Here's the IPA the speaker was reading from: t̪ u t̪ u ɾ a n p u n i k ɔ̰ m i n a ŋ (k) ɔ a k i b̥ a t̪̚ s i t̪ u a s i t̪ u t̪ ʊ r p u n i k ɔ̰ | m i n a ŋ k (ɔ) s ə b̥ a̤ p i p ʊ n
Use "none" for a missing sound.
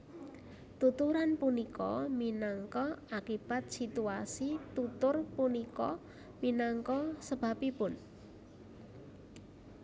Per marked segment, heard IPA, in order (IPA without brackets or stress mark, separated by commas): k, ɔ